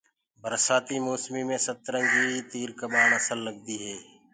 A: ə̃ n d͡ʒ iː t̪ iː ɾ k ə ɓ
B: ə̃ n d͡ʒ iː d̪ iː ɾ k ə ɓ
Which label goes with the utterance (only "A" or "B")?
A